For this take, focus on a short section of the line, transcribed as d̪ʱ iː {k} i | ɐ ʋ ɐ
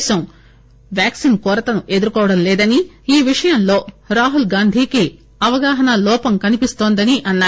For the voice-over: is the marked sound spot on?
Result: yes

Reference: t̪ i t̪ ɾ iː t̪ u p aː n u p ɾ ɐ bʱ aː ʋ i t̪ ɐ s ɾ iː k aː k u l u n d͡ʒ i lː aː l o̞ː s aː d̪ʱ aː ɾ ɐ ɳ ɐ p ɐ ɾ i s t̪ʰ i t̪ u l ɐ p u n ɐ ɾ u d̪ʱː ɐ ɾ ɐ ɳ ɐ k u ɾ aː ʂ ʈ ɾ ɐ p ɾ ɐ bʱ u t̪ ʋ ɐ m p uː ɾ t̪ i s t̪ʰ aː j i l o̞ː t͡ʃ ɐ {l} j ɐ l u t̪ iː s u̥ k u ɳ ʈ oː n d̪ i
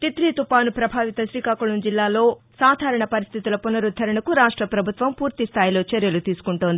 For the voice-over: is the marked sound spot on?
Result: no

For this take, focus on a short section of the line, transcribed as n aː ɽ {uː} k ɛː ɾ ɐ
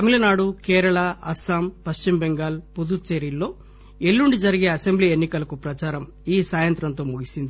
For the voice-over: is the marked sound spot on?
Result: no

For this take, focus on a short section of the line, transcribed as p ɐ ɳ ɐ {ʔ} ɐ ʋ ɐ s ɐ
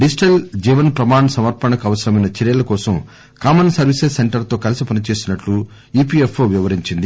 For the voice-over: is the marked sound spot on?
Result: no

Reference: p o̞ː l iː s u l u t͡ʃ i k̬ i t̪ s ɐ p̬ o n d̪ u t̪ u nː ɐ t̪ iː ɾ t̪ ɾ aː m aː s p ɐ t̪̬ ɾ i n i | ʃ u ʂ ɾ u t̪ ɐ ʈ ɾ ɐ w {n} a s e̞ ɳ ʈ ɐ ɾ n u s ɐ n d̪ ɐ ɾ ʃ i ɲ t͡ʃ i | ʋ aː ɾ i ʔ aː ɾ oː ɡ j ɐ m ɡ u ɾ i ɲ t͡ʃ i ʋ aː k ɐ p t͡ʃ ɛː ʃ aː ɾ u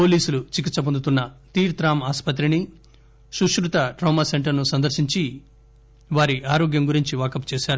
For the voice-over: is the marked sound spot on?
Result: no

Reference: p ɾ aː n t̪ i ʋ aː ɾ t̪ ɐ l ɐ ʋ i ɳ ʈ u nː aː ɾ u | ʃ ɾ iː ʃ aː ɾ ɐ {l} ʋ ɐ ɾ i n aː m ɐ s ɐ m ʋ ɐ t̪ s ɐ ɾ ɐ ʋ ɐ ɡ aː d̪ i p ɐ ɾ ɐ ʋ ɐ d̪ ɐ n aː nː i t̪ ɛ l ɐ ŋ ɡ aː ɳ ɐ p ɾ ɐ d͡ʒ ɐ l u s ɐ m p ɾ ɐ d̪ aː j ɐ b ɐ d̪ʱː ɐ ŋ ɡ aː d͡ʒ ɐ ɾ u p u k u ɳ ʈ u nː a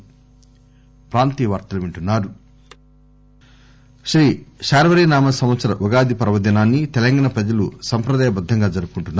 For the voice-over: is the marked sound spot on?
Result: no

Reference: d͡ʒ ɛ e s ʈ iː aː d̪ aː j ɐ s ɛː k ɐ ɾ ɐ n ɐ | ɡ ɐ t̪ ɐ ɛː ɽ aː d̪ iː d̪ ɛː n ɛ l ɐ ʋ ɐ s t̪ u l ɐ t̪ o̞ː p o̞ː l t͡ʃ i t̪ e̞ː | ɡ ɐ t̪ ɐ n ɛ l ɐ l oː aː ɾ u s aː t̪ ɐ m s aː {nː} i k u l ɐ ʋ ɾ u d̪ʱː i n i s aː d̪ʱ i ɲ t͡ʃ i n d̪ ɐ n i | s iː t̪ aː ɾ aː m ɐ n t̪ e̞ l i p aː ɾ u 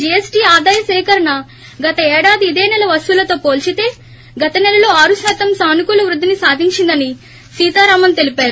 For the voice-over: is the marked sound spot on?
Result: no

